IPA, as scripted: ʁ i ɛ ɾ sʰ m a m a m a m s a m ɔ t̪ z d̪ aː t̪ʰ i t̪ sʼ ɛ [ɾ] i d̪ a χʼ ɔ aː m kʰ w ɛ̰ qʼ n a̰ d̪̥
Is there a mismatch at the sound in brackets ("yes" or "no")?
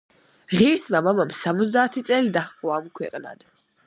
yes